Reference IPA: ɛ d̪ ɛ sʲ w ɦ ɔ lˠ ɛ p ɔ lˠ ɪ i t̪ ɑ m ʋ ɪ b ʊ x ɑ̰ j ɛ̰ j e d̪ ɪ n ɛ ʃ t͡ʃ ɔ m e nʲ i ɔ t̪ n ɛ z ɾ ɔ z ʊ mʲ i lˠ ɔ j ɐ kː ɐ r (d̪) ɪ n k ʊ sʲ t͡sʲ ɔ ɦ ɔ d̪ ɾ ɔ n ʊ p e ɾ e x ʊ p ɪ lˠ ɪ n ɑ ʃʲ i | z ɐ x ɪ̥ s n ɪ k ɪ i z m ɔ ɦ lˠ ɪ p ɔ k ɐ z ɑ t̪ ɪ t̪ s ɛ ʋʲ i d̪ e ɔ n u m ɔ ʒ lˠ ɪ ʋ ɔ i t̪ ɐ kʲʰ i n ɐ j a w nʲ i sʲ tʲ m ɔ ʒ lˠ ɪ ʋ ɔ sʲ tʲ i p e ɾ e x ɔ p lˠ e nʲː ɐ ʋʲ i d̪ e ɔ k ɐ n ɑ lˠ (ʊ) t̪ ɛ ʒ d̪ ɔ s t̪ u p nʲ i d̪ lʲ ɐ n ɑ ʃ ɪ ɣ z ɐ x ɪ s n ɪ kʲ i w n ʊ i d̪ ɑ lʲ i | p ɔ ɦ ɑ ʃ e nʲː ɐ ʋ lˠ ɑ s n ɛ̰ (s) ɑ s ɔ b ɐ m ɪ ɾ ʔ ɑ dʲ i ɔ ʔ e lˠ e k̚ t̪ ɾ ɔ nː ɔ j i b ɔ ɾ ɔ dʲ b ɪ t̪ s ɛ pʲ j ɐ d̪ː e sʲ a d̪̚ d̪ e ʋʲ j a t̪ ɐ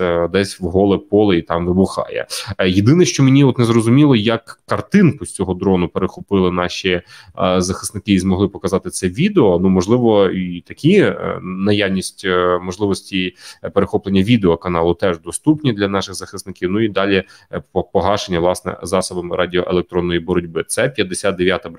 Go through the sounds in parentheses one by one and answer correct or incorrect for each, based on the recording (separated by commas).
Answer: incorrect, correct, incorrect